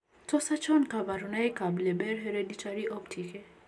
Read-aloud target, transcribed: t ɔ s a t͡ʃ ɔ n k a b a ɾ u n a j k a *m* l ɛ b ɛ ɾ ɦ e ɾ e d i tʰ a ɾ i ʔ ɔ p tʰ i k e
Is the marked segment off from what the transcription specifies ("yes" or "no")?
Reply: yes